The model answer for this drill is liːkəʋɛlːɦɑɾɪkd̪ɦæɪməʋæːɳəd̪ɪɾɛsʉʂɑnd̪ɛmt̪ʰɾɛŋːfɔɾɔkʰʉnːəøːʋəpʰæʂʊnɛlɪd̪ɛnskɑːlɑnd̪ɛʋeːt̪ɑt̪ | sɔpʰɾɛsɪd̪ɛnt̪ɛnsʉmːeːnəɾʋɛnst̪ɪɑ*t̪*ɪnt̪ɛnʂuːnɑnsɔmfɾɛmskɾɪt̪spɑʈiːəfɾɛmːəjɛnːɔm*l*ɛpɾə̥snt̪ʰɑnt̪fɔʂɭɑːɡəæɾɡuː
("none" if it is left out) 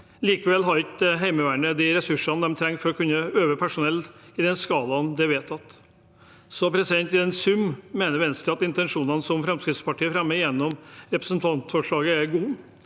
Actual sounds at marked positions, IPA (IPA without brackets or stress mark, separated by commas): t̪, ɾ